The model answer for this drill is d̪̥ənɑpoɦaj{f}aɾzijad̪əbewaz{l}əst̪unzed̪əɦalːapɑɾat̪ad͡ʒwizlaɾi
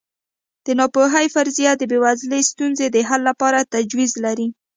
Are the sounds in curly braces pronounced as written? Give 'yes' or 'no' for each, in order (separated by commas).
yes, yes